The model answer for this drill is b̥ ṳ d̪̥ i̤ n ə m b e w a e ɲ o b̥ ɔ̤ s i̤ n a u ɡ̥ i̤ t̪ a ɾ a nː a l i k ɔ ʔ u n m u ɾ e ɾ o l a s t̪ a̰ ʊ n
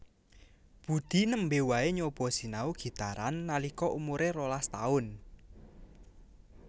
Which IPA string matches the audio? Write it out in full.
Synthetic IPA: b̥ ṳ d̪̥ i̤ n ə m b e w a e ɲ o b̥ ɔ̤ s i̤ n a u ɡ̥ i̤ t̪ a ɾ a nː a l i k ɔ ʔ u m u ɾ e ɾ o l a s t̪ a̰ ʊ n